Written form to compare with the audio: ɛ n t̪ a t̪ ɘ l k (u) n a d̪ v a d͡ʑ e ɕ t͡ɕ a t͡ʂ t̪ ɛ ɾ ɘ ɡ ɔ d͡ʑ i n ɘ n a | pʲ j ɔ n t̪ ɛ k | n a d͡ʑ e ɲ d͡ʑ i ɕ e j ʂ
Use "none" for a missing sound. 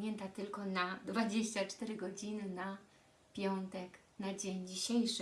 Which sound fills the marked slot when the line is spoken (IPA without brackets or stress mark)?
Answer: ɔ